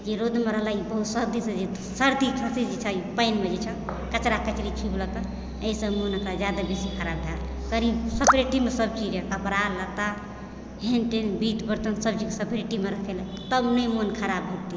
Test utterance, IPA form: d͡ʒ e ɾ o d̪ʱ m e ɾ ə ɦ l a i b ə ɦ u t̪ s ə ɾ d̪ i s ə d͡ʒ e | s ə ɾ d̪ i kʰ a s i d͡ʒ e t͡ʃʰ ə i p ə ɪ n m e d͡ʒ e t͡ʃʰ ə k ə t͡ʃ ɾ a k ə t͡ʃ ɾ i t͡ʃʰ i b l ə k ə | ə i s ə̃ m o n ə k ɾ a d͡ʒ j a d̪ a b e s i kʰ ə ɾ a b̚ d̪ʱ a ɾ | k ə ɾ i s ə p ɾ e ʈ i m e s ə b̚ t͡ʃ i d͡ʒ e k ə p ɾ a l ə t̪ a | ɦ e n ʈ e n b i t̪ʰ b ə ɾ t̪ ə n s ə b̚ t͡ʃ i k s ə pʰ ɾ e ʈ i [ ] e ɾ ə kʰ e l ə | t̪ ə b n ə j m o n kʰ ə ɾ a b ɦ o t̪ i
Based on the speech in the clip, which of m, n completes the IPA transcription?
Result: m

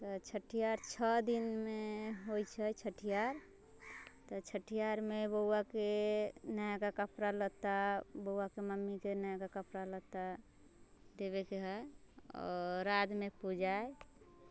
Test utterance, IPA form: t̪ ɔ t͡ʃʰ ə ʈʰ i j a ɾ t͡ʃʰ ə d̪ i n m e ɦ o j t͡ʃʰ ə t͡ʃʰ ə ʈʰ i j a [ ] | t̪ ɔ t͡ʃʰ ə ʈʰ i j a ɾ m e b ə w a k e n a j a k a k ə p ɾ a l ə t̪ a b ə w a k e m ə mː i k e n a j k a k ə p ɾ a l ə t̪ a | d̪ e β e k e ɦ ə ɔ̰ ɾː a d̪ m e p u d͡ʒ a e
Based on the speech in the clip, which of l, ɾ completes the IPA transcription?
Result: ɾ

